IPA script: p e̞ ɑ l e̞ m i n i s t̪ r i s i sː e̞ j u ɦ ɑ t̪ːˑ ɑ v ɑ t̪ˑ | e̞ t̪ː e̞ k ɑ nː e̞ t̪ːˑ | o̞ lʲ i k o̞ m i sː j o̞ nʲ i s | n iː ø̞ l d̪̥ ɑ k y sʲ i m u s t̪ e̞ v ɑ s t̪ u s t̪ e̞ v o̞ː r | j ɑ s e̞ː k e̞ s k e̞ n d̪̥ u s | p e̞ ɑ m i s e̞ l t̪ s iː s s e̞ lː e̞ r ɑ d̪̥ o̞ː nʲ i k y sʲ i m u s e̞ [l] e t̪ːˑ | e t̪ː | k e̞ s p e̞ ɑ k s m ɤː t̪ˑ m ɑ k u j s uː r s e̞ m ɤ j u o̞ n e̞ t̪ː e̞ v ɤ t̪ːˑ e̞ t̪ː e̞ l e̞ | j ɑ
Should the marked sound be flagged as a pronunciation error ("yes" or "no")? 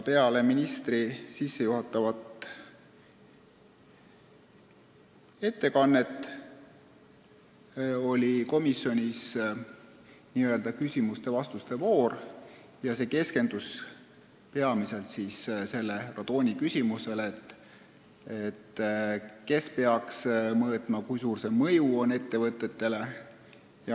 no